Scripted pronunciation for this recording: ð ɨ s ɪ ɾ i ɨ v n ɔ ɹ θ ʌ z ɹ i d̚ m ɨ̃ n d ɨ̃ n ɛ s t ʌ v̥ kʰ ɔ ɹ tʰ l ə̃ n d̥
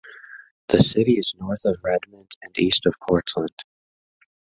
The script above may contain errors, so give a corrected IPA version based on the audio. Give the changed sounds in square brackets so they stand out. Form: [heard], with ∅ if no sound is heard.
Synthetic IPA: ð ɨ s ɪ ɾ i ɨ [z] n ɔ ɹ θ ʌ [v] ɹ [ɛ] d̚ m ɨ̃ n d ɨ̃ n [i] s t ʌ v̥ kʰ ɔ ɹ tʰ l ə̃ n d̥